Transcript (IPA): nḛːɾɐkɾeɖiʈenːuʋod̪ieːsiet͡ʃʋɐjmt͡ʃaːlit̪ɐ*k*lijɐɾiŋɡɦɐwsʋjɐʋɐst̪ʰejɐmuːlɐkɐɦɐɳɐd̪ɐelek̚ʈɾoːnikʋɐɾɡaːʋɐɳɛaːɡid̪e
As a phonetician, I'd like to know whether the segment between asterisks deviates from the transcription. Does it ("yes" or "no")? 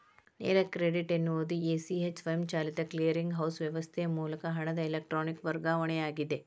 no